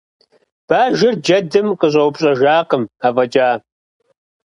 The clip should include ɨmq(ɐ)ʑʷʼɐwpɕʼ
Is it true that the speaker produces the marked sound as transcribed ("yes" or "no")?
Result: no